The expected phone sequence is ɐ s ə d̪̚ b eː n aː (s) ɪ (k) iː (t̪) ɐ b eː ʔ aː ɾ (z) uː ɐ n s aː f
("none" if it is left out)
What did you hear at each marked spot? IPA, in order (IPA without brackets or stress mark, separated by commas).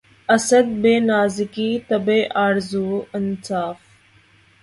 z, k, t̪, z